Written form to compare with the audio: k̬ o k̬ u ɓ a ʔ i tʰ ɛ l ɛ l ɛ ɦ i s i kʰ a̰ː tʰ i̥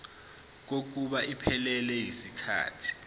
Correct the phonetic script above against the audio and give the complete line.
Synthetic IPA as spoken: k̬ o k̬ u ɓ a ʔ i pʰ ɛ l ɛ l ɛ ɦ i s i kʰ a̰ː tʰ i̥